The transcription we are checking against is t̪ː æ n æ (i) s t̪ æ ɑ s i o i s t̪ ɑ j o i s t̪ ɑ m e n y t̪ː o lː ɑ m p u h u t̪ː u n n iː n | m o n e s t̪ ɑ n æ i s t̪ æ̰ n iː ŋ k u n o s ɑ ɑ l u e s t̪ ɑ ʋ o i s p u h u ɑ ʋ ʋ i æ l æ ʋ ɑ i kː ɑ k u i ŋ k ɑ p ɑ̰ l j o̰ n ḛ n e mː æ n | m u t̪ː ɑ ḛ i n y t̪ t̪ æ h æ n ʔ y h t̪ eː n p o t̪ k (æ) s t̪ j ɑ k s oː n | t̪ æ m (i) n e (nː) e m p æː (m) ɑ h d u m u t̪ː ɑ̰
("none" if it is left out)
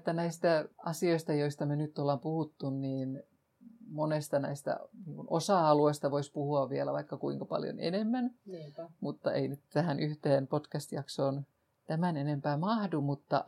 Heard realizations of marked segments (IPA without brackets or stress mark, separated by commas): i, æ, æ, n, m